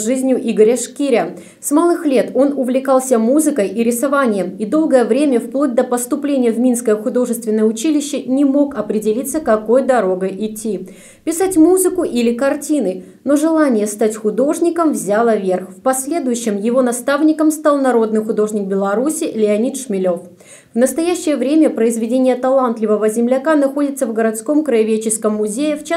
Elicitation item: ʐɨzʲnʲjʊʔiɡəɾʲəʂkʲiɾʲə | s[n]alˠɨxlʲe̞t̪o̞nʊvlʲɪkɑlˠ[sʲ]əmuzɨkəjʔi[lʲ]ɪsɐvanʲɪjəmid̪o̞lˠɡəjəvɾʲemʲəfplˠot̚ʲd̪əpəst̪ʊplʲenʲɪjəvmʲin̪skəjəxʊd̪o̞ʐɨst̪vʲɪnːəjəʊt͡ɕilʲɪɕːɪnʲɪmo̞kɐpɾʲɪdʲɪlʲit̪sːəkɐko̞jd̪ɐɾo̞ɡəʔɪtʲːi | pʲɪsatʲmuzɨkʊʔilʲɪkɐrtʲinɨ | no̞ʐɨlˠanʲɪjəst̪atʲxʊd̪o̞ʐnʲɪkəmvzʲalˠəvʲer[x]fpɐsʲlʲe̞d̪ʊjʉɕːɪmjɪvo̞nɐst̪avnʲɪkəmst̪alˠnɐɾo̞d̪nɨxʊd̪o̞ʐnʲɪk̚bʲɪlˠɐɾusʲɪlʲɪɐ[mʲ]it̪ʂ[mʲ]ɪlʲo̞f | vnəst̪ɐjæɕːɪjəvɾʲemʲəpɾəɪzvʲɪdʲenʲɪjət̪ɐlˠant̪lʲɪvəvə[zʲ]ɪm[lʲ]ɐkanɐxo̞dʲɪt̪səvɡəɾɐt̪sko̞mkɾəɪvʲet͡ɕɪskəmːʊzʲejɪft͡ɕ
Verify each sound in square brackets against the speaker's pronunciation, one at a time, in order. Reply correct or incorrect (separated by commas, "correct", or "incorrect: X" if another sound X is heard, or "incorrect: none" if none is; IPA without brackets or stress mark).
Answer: incorrect: m, correct, incorrect: ɾʲ, correct, incorrect: nʲ, correct, correct, correct